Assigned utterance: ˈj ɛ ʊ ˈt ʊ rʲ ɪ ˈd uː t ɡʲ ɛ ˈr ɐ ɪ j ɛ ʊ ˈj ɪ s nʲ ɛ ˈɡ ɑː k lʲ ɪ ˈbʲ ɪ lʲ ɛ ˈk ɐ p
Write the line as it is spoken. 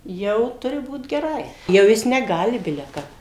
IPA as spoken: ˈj ɛ ʊ ˈt ʊ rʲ ɪ ˈb uː t ɡʲ ɛ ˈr ɐ ɪ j ɛ ʊ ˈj ɪ s nʲ ɛ ˈɡ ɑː lʲ ɪ ˈbʲ ɪ lʲ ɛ ˈk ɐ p